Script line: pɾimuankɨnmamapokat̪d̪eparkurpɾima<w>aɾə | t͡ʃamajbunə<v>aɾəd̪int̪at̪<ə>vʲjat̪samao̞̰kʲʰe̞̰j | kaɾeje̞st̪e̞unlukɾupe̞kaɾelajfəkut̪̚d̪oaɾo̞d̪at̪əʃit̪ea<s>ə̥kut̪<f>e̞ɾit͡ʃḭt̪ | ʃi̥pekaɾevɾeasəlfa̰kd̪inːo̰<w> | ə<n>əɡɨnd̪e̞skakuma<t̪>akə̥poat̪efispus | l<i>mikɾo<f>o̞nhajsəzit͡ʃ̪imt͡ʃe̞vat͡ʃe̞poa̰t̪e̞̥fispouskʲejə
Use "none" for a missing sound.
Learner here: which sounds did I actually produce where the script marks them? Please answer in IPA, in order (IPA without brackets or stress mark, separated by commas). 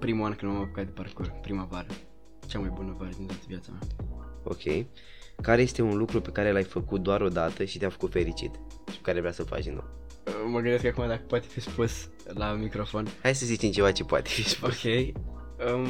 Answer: v, v, ə, f, f, w, m, d̪, a, f